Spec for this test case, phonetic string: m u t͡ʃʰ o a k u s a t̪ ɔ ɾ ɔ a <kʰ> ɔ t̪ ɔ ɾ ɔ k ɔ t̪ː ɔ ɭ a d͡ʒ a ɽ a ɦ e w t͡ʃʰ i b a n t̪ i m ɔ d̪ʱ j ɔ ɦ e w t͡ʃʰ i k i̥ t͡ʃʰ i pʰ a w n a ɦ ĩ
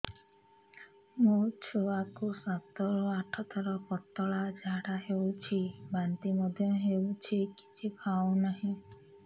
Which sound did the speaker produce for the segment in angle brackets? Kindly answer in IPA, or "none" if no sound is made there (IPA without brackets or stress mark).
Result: ʈʰ